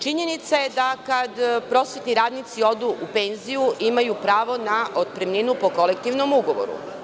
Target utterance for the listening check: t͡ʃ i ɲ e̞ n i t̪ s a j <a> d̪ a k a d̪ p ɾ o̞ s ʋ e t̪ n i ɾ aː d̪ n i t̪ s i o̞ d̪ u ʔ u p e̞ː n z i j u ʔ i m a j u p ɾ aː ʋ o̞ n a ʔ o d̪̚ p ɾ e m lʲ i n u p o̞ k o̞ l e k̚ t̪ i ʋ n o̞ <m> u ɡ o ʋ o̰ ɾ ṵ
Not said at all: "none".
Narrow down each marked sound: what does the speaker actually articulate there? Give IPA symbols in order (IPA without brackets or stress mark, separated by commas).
e, m